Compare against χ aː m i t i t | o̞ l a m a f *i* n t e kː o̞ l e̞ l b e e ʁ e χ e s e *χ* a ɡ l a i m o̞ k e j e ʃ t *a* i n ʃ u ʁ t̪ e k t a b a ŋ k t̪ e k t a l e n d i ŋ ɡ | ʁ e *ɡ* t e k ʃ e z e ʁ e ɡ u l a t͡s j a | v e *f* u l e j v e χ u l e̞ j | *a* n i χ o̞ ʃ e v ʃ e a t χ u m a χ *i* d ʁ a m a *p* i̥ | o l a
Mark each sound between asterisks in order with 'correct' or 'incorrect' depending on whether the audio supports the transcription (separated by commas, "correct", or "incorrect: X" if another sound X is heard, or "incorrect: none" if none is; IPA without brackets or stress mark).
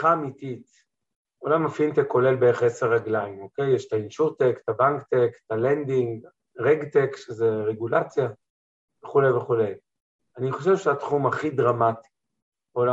correct, incorrect: ʁ, correct, correct, incorrect: χ, correct, correct, incorrect: t